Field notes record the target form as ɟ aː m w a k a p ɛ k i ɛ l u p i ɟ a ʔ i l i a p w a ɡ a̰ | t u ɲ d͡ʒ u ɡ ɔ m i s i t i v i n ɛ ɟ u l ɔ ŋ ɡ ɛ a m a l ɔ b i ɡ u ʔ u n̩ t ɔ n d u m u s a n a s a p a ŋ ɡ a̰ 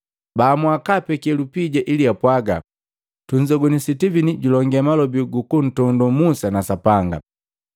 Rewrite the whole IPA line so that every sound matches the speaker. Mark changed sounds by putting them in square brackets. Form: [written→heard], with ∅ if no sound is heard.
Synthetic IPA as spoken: [ɟ→b] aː m w a k a p ɛ k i ɛ l u p i ɟ a ʔ i l i a p w a ɡ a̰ | t u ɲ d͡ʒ [u→ɔ] ɡ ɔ [m→n] i s i t i v i n [ɛ→i] ɟ u l ɔ ŋ ɡ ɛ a m a l ɔ b i ɡ u [ʔ→k] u n̩ t ɔ n d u m u s a n a s a p a ŋ ɡ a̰